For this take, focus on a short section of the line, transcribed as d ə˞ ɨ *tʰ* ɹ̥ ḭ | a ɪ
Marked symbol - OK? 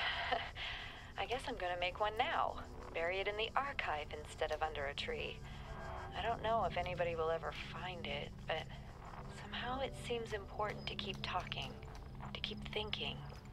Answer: yes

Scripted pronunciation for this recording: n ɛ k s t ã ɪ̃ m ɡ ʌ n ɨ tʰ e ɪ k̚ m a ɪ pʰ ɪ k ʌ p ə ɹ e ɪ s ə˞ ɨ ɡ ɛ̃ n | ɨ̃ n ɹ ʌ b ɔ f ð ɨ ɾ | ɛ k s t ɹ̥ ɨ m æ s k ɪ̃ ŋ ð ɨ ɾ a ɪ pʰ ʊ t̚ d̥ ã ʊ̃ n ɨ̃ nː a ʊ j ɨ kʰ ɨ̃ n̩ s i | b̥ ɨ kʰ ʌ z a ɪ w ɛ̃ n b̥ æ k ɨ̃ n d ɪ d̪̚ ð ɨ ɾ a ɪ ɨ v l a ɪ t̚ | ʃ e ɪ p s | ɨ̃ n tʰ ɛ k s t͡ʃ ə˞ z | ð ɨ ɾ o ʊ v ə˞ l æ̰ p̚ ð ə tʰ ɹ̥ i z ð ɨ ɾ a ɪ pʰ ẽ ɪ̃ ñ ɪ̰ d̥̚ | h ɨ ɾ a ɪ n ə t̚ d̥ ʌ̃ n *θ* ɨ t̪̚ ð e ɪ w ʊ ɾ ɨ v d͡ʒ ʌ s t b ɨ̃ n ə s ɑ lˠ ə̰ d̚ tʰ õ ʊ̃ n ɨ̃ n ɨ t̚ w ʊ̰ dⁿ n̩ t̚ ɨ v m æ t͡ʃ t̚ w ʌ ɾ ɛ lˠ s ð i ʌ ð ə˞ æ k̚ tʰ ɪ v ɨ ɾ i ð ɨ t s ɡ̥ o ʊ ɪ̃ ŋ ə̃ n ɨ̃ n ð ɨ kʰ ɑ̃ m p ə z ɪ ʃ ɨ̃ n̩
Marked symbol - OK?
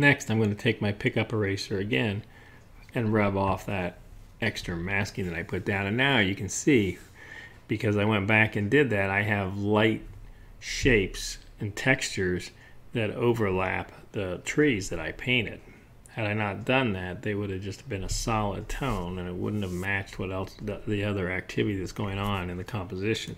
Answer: no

